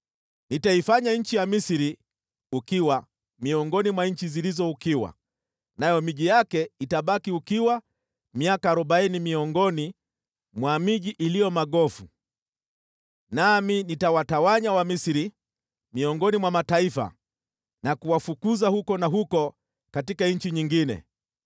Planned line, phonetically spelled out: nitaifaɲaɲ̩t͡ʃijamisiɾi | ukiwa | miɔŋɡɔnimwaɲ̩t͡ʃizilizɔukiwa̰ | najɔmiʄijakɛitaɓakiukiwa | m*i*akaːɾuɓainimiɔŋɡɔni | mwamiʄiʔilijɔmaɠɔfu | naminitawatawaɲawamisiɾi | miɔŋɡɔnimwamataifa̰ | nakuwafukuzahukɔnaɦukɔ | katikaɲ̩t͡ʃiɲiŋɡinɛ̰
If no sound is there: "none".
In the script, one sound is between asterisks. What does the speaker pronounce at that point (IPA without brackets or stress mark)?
i